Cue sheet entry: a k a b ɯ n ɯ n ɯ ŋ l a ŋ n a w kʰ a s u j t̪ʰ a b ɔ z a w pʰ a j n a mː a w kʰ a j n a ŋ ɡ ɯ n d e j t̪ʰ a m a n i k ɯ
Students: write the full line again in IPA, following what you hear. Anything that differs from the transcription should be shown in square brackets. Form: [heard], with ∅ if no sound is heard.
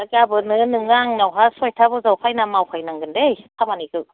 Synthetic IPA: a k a b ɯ n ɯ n ɯ ŋ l a ŋ n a w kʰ a s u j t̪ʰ a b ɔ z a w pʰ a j n a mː a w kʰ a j n a ŋ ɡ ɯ n d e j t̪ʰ a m a n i k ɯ